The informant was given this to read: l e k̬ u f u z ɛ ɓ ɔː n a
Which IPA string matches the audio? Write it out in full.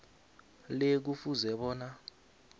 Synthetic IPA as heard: l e k̬ u f u z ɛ ɓ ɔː n a